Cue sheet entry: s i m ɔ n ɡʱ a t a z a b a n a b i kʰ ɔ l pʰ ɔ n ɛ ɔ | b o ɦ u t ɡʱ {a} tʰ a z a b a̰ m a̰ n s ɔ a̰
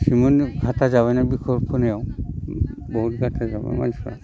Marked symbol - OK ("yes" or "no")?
yes